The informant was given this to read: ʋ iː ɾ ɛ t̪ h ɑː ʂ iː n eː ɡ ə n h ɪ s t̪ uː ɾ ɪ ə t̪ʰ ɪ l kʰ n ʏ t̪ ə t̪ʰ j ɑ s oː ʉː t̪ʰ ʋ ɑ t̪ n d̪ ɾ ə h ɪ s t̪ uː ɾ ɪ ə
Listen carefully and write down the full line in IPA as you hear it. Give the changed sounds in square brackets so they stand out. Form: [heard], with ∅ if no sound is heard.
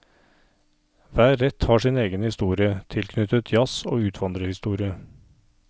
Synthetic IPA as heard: ʋ [æː] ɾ ɛ t̪ h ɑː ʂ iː n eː ɡ ə n h ɪ s t̪ uː ɾ ɪ ə t̪ʰ ɪ l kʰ n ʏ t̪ ə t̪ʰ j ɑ s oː ʉː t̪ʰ ʋ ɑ [∅] n d̪ ɾ ə h ɪ s t̪ uː ɾ ɪ ə